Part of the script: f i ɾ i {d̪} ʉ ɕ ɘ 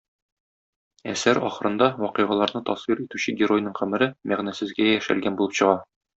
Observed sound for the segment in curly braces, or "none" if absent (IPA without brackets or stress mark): t̪